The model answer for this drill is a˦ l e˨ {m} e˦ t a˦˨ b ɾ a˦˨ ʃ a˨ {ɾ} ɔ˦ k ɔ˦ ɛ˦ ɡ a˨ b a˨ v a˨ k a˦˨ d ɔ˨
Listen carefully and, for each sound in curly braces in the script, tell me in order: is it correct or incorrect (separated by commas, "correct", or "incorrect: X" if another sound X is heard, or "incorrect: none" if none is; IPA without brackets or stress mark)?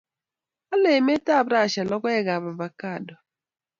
correct, incorrect: l